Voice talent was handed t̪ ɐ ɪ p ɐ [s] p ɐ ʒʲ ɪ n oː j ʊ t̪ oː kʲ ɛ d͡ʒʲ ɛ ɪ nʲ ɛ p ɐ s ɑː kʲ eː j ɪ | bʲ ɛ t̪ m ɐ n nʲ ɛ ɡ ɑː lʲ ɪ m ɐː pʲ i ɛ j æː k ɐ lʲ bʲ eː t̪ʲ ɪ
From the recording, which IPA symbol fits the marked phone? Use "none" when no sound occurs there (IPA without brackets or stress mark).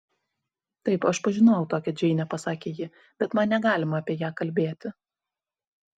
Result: ʃ